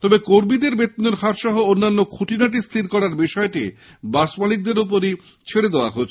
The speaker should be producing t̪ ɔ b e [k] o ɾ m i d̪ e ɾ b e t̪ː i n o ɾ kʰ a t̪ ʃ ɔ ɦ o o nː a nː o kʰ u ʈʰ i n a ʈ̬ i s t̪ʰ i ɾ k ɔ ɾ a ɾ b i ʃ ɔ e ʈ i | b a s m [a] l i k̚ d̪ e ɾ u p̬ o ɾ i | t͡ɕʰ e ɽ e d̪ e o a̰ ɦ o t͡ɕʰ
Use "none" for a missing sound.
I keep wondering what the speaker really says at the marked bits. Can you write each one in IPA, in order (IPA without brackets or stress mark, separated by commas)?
k, a